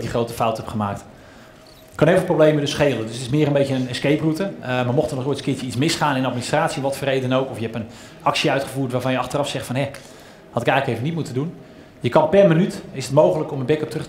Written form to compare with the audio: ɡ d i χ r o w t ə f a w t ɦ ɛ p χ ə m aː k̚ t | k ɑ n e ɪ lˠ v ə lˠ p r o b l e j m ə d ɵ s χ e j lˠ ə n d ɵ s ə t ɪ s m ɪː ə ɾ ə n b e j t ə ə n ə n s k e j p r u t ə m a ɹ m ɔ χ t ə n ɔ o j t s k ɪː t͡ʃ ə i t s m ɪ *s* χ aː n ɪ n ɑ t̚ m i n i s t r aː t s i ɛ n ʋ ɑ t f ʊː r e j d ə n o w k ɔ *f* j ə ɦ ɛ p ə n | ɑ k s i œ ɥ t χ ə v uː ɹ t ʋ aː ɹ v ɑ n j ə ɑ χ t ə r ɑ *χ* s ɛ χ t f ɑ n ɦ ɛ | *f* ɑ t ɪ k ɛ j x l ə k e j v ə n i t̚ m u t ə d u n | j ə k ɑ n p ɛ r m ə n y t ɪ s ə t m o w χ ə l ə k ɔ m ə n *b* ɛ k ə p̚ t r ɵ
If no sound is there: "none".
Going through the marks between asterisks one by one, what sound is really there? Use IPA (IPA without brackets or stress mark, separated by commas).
s, f, f, h, b